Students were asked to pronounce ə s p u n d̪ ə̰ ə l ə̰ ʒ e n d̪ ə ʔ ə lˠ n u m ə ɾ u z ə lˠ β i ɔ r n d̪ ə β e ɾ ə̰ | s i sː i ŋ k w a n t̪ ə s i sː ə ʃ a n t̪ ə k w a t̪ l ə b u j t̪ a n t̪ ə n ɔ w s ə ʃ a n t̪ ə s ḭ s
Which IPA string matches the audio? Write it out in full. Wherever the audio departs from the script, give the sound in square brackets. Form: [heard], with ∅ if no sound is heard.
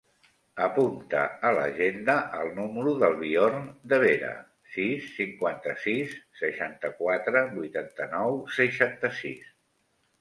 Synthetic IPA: ə [∅] p u n [t̪] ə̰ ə l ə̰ ʒ e n d̪ ə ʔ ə lˠ n u m ə ɾ u [ð] ə lˠ β i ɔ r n d̪ ə β e ɾ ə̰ | s i sː i ŋ k w a n t̪ ə s i sː ə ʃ a n t̪ ə k w a t̪ [ɾ] ə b u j t̪ a n t̪ ə n ɔ w s ə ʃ a n t̪ ə s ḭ s